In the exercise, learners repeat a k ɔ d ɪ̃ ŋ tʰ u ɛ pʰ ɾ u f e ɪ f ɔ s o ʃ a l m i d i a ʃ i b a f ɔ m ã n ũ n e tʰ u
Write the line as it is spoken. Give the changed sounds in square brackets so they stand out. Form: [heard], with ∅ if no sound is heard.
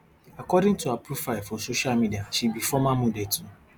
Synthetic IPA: a k ɔ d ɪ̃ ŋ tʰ u [a] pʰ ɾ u f [a] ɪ f ɔ s o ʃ a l m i d i a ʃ i b [i] f ɔ m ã [m] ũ [d] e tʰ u

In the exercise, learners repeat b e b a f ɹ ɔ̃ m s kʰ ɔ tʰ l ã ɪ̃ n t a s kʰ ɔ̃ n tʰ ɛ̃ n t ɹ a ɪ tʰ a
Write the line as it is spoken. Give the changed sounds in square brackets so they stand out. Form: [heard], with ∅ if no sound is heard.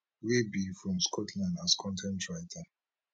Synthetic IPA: [w] e b [i] f ɹ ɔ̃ m s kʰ ɔ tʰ l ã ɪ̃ n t a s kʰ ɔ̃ n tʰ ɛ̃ n t ɹ a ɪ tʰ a

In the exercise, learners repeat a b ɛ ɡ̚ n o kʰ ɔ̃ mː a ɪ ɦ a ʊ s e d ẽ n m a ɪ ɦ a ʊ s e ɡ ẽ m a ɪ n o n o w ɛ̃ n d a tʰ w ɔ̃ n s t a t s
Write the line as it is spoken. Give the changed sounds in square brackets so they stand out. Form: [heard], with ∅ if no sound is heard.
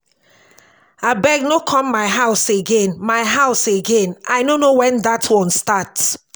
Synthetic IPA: a b ɛ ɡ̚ n o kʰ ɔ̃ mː a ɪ ɦ a ʊ s e [ɡ] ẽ n m a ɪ ɦ a ʊ s e ɡ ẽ [n] a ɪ n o n o w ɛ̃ n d a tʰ w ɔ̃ n s t a t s

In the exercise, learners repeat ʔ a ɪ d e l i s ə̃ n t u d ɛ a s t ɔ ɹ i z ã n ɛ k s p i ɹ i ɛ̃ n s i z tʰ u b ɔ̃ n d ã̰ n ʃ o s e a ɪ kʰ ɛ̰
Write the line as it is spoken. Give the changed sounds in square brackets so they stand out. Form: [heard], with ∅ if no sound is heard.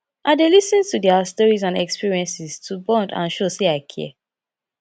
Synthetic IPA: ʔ a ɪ d e l i s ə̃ n t u d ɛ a s t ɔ ɹ i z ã n ɛ k s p i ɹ i ɛ̃ n s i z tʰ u b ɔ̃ n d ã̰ n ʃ o s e a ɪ kʰ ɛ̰

